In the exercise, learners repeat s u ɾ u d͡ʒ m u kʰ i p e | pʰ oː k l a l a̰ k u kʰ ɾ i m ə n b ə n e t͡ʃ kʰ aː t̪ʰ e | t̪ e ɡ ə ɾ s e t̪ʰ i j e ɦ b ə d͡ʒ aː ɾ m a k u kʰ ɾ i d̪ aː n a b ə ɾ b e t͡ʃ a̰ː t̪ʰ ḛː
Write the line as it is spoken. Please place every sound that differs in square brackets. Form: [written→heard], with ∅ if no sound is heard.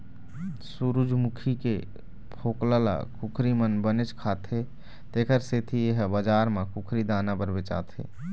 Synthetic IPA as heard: s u ɾ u d͡ʒ m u kʰ i [p→k] e | pʰ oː k l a l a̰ k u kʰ ɾ i m ə n b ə n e t͡ʃ kʰ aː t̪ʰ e | t̪ e [ɡ→k] ə ɾ s e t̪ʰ i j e ɦ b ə d͡ʒ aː ɾ m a k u kʰ ɾ i d̪ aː n a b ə ɾ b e t͡ʃ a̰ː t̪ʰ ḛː